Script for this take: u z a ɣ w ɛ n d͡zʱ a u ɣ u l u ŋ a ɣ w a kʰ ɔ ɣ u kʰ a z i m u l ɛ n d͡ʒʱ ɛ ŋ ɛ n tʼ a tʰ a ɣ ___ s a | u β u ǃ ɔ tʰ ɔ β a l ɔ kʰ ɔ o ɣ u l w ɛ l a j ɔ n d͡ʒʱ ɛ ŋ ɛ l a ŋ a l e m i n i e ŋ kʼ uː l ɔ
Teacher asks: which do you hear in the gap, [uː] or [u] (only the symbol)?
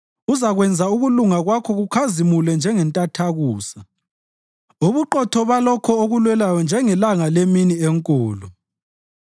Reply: uː